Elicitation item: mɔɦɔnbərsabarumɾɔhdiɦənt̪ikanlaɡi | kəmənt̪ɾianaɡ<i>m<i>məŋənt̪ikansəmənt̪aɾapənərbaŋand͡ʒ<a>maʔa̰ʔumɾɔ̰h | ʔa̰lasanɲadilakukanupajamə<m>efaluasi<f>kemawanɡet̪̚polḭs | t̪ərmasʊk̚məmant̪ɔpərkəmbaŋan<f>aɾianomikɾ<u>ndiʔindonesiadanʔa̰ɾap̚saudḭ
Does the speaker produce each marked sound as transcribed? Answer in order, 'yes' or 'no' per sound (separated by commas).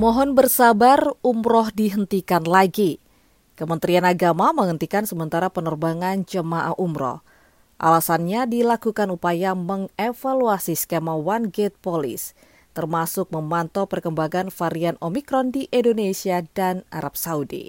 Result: no, no, no, no, no, yes, no